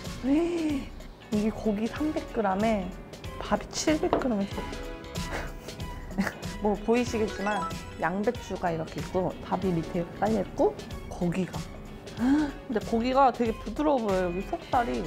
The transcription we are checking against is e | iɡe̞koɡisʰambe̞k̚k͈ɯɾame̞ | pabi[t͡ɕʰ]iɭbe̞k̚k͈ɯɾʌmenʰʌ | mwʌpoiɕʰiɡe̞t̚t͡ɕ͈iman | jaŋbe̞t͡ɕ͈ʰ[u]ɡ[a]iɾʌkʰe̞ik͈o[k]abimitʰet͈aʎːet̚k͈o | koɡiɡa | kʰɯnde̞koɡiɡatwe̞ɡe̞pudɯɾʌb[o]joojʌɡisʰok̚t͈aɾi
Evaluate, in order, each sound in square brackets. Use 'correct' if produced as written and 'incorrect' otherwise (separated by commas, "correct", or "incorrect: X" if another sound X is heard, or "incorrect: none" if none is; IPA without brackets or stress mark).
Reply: correct, correct, correct, incorrect: t, correct